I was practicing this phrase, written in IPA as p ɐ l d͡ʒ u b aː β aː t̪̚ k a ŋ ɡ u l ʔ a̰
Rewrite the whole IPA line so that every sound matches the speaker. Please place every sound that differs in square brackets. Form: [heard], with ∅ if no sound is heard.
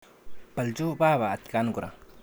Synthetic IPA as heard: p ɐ l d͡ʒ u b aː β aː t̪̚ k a [n] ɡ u [ɾ] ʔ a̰